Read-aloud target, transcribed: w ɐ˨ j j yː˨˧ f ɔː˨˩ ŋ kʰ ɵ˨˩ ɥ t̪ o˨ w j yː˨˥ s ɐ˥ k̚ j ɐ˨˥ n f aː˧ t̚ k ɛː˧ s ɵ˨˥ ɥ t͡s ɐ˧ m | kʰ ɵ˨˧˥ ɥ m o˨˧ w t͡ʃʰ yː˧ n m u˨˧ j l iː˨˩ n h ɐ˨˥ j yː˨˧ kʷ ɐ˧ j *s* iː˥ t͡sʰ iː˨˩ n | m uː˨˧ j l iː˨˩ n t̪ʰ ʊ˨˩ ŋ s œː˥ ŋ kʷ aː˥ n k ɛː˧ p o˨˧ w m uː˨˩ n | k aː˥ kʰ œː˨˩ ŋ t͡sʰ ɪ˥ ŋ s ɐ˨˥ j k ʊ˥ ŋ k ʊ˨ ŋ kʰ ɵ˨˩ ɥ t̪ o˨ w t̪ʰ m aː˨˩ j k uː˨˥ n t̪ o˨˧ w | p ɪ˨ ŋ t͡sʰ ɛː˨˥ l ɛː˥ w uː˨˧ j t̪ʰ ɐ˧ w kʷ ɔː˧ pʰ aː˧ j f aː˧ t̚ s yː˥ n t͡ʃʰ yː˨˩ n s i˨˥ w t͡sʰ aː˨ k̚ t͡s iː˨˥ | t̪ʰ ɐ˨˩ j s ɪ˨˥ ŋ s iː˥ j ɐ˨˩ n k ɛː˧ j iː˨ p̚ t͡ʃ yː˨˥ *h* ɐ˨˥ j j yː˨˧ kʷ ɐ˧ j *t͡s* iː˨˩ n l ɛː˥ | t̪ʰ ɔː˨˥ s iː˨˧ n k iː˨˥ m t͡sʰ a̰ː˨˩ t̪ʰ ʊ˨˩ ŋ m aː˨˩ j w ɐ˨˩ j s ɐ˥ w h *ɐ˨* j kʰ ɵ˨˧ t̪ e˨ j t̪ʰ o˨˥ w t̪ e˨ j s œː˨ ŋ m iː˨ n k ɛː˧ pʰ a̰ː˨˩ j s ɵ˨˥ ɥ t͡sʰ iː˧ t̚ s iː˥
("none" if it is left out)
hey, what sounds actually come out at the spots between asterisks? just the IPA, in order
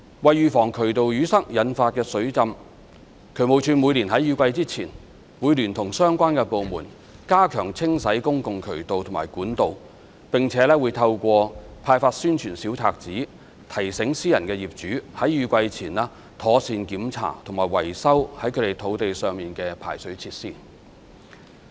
t͡s, h, t͡sʰ, ɐ˨˥

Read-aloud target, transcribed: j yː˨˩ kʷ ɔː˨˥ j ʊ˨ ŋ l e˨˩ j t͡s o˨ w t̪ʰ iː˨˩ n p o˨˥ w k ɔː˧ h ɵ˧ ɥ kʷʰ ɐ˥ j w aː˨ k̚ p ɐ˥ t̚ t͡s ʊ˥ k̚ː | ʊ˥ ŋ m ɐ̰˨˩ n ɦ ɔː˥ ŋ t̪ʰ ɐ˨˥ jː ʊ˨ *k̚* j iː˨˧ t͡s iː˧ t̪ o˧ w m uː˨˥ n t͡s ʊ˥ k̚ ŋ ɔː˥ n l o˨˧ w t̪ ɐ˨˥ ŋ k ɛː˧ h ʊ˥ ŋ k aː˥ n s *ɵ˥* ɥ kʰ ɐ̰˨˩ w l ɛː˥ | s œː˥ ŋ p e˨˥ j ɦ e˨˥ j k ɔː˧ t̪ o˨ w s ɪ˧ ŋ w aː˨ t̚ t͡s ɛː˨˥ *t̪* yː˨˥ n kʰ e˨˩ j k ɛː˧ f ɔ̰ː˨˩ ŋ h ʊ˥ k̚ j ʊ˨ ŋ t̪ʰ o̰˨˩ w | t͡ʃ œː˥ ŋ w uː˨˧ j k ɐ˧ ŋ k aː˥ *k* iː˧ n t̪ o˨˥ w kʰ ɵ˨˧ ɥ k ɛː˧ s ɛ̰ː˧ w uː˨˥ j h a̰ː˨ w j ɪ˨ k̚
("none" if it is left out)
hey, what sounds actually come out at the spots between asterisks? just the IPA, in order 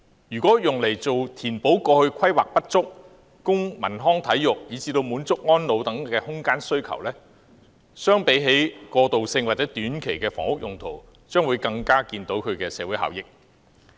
k̚, ɵ˥, t̪, k

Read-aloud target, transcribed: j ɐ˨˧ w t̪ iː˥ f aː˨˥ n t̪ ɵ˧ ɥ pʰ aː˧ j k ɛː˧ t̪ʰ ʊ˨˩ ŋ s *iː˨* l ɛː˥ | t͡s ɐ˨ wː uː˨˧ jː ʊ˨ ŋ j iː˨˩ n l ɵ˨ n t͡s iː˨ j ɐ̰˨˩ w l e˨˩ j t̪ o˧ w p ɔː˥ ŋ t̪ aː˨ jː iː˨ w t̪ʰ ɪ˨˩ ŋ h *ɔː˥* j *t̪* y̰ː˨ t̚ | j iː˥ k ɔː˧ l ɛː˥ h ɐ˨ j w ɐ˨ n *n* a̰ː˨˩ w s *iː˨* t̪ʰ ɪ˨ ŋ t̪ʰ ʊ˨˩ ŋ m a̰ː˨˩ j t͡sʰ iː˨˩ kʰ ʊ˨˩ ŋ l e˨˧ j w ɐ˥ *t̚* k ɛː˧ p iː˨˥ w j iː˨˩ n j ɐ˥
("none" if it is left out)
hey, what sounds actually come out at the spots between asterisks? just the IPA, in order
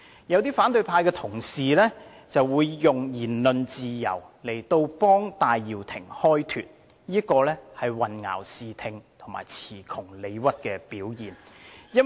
iː˨, ɔː˥, t̪ʰ, ŋ, iː˨, t̚

